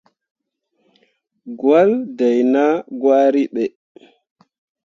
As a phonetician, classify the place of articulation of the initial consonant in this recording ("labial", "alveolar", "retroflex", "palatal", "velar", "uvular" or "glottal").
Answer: velar